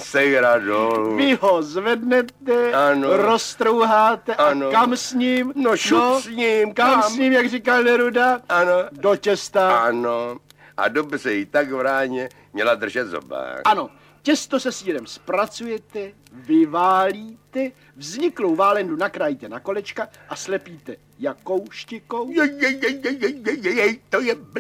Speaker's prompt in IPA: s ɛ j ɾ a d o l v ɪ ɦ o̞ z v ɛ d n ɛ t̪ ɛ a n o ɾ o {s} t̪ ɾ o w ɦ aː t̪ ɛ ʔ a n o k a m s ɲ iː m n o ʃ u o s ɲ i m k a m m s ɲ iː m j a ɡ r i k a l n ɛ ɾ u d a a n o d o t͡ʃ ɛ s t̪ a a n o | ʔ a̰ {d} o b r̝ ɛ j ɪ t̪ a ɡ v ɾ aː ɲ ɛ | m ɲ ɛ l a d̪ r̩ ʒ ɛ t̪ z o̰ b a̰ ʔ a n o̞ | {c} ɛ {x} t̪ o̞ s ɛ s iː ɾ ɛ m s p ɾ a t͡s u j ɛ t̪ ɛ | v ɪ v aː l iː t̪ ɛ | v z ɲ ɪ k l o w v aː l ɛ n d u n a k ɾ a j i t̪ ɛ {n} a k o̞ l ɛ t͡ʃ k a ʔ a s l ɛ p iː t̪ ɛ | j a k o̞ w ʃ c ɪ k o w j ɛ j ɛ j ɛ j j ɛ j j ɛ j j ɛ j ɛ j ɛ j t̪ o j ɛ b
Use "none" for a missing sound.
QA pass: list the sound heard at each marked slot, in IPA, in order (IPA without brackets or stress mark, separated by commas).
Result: s, d, c, s, n